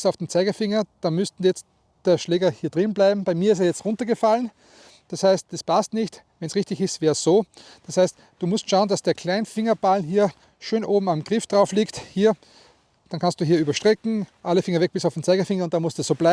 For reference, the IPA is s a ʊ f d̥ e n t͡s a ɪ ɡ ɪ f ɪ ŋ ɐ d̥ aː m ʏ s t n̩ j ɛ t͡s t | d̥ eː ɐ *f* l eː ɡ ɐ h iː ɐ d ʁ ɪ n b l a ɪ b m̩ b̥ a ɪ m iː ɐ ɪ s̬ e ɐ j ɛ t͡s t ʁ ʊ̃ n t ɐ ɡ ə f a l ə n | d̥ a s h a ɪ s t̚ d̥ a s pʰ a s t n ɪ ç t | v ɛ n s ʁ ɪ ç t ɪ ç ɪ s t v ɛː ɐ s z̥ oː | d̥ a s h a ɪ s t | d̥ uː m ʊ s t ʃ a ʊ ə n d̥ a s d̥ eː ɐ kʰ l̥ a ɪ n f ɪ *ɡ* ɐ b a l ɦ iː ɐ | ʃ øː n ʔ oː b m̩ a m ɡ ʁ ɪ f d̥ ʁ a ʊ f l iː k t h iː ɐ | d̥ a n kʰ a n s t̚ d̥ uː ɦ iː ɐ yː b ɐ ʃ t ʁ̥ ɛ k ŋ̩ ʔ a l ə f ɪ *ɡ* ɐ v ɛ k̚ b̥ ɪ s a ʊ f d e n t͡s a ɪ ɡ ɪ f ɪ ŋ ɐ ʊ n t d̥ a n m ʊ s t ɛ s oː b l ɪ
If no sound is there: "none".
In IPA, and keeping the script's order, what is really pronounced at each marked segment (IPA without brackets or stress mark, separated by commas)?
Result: ʃ, ŋ, ŋ